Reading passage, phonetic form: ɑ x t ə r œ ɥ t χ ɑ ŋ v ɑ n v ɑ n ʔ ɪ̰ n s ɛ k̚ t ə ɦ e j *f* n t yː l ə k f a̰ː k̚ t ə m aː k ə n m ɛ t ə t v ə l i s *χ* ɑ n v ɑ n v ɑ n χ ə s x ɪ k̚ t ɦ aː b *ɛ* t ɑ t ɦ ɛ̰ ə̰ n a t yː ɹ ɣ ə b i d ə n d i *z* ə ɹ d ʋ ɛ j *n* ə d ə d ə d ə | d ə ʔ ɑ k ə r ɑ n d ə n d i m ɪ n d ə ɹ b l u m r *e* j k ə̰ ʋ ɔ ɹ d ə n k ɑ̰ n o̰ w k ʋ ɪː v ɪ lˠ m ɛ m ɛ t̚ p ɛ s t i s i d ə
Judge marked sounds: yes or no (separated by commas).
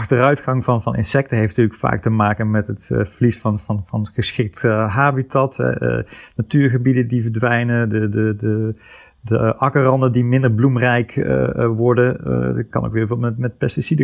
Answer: yes, no, no, no, yes, no